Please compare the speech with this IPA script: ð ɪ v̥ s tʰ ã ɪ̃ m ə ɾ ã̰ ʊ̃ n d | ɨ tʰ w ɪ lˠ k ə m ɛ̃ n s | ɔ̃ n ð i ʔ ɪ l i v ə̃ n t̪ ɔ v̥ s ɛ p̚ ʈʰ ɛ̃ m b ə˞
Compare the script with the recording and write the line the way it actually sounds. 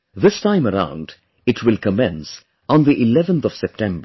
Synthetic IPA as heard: ð ɪ s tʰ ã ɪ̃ m ə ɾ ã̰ ʊ̃ n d | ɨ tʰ w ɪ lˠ k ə m ɛ̃ n s | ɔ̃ n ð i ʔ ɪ l ɛ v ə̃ n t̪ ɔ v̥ s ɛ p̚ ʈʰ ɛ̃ m b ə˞